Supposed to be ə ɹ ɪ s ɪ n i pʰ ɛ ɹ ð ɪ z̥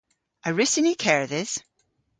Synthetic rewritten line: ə ɹ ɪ s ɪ n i kʰ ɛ ɹ ð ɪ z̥